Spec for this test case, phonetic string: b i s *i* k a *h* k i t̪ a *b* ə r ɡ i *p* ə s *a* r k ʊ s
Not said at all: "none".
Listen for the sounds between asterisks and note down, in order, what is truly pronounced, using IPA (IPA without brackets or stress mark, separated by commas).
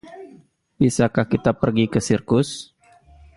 a, h, p, k, i